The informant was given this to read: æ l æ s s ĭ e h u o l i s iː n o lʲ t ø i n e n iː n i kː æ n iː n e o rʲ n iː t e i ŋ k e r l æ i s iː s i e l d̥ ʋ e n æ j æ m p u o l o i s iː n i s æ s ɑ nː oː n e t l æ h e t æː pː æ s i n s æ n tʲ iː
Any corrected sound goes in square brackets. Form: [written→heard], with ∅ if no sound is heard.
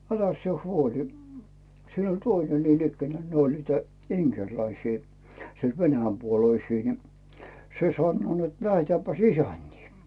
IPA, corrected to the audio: æ l æ s s ĭ e h u o l i s iː n o lʲ t ø i n e n iː n i kː æ n [iː→æː] n e o [rʲ→lʲ] n iː t [e→æ] i ŋ k e r l æ i s iː s i e l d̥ ʋ e n æ j æ m p u o l o i s iː n i s [æ→e] s ɑ nː oː n e t l æ h e t æː pː æ s i [n→∅] s æ n tʲ iː